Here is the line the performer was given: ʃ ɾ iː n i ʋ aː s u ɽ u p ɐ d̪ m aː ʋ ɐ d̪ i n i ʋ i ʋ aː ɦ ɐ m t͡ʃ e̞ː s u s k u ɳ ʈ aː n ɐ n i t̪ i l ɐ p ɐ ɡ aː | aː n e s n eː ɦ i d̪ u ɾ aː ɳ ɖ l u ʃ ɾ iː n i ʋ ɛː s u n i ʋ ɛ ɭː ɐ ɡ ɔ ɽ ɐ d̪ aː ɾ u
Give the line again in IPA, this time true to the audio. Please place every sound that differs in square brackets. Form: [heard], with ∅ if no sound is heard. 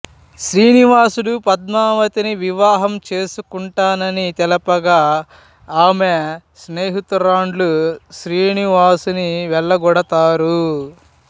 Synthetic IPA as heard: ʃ ɾ iː n i ʋ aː s u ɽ u p ɐ d̪ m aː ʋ ɐ [t̪] i n i ʋ i ʋ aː ɦ ɐ m t͡ʃ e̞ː s u [∅] k u ɳ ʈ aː n ɐ n i t̪ [ɛ] l ɐ p ɐ ɡ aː | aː [m] e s n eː ɦ i [t̪] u ɾ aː ɳ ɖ l u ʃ ɾ iː n i ʋ [aː] s u n i ʋ ɛ ɭː ɐ ɡ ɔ ɽ ɐ [t̪] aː ɾ u